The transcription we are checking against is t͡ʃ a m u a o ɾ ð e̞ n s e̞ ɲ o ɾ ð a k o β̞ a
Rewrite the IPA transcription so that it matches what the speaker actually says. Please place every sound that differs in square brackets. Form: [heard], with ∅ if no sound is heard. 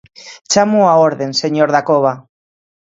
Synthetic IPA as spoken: t͡ʃ a m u a o ɾ ð e̞ n s e̞ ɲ o ɾ ð a k o β̞ a